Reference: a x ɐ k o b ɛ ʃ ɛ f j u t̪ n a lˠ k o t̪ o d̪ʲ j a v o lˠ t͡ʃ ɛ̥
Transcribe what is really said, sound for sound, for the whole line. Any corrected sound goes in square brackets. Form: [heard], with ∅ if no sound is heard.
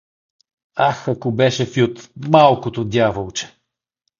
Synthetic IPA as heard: a x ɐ k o b ɛ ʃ ɛ f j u t̪ [m] a lˠ k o t̪ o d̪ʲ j a v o lˠ t͡ʃ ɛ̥